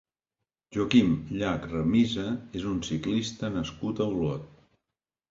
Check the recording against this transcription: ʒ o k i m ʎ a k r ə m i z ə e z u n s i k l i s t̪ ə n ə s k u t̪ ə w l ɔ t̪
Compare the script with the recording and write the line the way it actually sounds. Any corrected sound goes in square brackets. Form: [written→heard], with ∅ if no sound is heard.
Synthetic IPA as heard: ʒ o k i m ʎ a k r ə m i z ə e z u n s i k l i s t̪ ə n ə s k u t̪ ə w l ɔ t̪

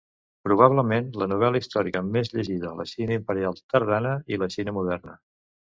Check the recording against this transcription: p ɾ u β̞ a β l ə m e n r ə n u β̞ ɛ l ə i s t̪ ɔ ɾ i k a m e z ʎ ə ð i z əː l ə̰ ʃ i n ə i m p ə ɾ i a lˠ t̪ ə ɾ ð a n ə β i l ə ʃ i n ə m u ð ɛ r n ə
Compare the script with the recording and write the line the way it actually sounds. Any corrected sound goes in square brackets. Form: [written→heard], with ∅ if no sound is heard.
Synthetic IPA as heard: p ɾ u β̞ a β l ə m e n [r→l] ə n u β̞ ɛ l ə i s t̪ ɔ ɾ i k [a→ə] m e z ʎ ə [ð→ʒ] i [z→ð] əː l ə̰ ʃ i n ə i m p ə ɾ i a lˠ t̪ ə ɾ ð a n ə [β→∅] i l ə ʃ i n ə m u ð ɛ r n ə

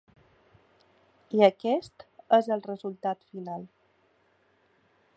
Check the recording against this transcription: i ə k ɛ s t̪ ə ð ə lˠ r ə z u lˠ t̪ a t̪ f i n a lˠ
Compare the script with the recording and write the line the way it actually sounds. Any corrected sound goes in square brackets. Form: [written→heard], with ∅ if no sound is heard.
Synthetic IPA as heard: i ə k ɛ s t̪ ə [ð→z] ə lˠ r ə z u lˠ t̪ a t̪ f i n a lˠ

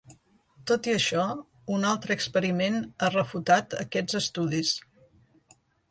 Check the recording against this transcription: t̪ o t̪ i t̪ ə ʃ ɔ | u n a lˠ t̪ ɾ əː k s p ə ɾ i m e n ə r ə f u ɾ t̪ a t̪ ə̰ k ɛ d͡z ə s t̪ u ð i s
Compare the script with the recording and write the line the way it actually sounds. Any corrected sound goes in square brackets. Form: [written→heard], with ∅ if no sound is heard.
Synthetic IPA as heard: t̪ o t̪ i [t̪→∅] ə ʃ ɔ | u n a lˠ t̪ ɾ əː k s p ə ɾ i m e n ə r ə f u [ɾ→∅] t̪ a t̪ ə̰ k ɛ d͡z ə s t̪ u ð i s

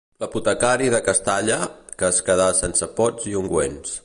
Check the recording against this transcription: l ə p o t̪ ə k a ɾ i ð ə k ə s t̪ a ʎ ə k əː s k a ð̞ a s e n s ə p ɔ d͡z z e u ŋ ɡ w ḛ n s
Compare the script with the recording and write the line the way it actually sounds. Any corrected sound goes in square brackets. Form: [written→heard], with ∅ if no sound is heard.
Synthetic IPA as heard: l ə p [o→u] t̪ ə k a ɾ i ð ə k ə s t̪ a ʎ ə k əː s k [a→ə] ð̞ a s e n s ə p ɔ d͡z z [e→i] u ŋ ɡ w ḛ n s

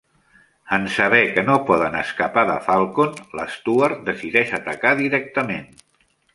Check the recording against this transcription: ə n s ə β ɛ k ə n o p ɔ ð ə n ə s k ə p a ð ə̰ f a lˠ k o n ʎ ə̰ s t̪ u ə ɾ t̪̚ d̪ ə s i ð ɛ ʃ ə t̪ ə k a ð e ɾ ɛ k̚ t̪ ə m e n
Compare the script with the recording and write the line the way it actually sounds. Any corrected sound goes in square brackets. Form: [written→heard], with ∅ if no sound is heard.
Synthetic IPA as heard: ə n s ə β ɛ k ə n o p ɔ ð ə n ə s k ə p a ð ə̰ f a lˠ k o n [ʎ→l] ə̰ s t̪ u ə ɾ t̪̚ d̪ ə s i ð ɛ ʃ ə t̪ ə k a ð [e→i] ɾ ɛ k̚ t̪ ə m e n

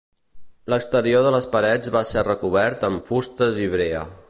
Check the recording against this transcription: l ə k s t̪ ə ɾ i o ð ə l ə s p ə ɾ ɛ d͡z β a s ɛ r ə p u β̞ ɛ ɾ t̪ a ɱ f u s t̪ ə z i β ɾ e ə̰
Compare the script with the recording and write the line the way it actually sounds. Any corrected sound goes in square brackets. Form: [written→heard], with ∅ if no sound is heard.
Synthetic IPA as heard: l ə k s t̪ ə ɾ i o ð ə l ə s p ə ɾ ɛ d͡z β a s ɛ r ə [p→k] u β̞ ɛ ɾ t̪ [a→ə] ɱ f u s t̪ ə z i β ɾ e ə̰

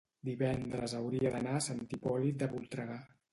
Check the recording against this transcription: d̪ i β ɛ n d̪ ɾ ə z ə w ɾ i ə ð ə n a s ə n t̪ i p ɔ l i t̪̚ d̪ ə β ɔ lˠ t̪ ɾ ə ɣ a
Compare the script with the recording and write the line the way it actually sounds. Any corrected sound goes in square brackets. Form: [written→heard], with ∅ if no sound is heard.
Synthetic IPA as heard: d̪ i β ɛ n d̪ ɾ ə z ə w ɾ i ə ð ə n a s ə n t̪ i p ɔ l i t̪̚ d̪ ə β [ɔ→u] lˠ t̪ ɾ ə ɣ a

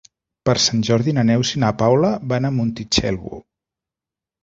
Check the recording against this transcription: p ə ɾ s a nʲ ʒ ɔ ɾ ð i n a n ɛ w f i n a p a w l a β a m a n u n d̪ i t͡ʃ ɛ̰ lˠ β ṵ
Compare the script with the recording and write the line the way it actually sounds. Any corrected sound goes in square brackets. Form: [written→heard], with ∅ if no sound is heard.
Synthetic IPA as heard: p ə ɾ s a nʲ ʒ ɔ ɾ ð i n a n ɛ w [f→s] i n a p a w l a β a [m→n] a [n→m] u n [d̪→t̪] i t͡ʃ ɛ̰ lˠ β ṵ

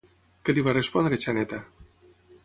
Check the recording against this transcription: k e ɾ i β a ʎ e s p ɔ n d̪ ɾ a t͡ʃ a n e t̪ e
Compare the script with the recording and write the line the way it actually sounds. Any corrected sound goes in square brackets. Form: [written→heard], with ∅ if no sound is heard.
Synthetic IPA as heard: k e [ɾ→l] i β a [ʎ→r] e s p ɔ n d̪ ɾ [a→e] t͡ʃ a n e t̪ [e→a]

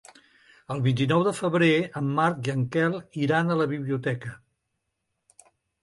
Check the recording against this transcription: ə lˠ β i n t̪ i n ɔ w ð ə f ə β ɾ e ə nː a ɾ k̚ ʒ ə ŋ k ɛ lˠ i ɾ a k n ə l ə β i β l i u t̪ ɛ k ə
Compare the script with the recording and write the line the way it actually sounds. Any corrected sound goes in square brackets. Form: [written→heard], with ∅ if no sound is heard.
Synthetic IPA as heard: ə lˠ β i n t̪ i n ɔ w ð ə f ə β ɾ e ə [nː→mː] a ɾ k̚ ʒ ə ŋ k ɛ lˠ i ɾ a [k→∅] n ə l ə β i β l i u t̪ ɛ k ə

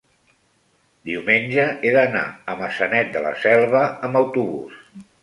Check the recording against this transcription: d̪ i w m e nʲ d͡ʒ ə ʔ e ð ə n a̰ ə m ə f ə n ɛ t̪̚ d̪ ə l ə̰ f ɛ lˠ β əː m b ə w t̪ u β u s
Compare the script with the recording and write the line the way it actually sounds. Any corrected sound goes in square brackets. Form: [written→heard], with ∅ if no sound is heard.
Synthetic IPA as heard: d̪ i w m e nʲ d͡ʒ ə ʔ e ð ə n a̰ ə m ə [f→s] ə n ɛ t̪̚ d̪ ə l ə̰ [f→s] ɛ lˠ β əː m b ə w t̪ u β u s

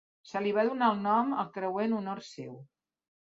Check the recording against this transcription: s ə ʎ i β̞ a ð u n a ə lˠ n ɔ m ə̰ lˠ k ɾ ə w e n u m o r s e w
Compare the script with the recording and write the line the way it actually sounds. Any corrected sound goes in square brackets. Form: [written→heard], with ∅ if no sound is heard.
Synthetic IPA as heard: s ə [ʎ→l] i β̞ a ð u n a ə lˠ n ɔ m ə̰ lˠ k ɾ ə w e n u [m→n] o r s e w

